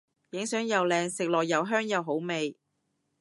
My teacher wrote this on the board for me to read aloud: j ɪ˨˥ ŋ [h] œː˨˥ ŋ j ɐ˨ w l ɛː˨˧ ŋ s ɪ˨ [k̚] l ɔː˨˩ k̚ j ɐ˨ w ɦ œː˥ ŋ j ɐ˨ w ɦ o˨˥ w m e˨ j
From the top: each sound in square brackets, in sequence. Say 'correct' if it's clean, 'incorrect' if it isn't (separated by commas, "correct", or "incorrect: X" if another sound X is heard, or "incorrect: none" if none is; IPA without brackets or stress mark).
incorrect: s, correct